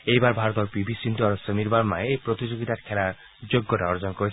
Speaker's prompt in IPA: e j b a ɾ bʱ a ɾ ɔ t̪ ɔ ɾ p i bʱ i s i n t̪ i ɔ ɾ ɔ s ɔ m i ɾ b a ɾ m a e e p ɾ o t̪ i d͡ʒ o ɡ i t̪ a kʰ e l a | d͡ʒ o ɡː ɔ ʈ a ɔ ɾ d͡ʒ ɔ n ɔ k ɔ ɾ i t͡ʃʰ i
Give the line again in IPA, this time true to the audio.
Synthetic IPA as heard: e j b a ɾ bʱ a ɾ ɔ t̪ ɔ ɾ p i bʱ i s i n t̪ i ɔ ɾ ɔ s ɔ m i ɾ b a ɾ m a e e p ɾ o t̪ i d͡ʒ o ɡ i t̪ a kʰ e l a | d͡ʒ o ɡː ɔ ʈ a ɔ ɾ d͡ʒ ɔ n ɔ k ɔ ɾ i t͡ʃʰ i